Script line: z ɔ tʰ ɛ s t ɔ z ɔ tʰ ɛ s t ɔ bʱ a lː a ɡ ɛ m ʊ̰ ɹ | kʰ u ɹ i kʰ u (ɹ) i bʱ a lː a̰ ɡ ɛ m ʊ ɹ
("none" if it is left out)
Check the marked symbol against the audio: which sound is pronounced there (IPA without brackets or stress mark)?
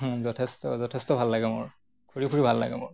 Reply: ɹ